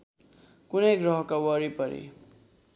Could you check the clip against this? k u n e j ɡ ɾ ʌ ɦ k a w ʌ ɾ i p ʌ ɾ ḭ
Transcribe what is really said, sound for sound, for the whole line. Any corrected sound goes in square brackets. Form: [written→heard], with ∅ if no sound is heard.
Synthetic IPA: k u n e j ɡ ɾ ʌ ɦ k a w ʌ ɾ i p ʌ ɾ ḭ